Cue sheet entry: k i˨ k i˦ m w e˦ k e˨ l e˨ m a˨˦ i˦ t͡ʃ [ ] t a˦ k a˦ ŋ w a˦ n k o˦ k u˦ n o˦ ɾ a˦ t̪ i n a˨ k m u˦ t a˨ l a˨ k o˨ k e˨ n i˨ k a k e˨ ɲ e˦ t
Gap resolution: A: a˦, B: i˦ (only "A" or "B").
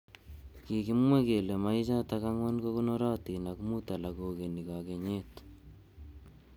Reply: A